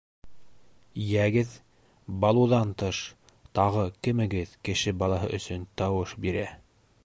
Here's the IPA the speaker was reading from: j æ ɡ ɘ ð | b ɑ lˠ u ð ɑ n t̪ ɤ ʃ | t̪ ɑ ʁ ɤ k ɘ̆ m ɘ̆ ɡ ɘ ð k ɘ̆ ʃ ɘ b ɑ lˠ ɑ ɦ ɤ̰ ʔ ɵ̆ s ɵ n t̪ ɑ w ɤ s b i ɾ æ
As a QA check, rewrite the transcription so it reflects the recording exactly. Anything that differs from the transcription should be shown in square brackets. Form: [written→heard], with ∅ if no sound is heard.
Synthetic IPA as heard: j æ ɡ ɘ ð | b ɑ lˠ u ð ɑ n t̪ ɤ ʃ | t̪ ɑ ʁ ɤ k ɘ̆ m ɘ̆ ɡ ɘ ð k ɘ̆ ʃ ɘ b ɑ lˠ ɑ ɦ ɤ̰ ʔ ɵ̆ s ɵ n t̪ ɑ w ɤ [s→ʃ] b i ɾ æ

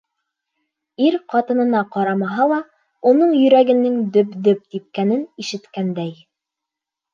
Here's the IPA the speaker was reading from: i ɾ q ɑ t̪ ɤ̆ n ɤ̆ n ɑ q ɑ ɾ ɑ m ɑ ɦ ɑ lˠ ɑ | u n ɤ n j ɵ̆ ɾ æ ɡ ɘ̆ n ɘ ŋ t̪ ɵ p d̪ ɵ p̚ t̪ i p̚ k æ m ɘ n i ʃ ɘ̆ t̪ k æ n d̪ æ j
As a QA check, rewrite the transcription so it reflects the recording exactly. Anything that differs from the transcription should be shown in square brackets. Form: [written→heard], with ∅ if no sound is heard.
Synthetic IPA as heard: i ɾ q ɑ t̪ ɤ̆ n ɤ̆ n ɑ q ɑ ɾ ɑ m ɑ ɦ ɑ lˠ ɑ | u n ɤ [n→ɴ] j ɵ̆ ɾ æ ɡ ɘ̆ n ɘ ŋ [t̪→d̪] ɵ p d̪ ɵ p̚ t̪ i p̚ k æ [m→n] ɘ n i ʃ ɘ̆ t̪ k æ n d̪ æ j

